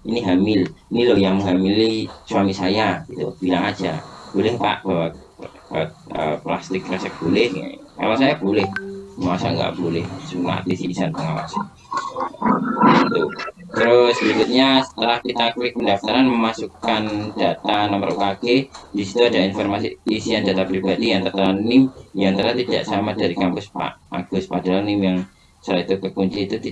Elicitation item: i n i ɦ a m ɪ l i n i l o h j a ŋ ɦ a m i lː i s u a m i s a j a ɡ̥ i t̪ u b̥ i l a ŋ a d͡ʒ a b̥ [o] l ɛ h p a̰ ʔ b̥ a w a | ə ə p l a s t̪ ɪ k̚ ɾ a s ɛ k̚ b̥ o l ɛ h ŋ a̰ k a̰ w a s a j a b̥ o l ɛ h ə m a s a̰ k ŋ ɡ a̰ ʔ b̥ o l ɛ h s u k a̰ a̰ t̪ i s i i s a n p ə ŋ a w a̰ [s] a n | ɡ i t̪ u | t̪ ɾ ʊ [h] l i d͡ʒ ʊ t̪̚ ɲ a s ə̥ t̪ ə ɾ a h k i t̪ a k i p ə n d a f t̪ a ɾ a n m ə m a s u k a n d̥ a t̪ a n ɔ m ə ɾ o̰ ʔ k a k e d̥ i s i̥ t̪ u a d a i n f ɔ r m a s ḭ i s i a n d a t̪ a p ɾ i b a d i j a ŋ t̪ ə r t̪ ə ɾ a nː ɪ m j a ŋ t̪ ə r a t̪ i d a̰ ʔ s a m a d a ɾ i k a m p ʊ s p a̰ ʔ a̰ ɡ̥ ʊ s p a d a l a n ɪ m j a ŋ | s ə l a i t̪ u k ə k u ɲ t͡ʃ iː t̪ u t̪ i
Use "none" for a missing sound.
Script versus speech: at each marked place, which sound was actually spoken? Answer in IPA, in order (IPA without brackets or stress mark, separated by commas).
o, s, s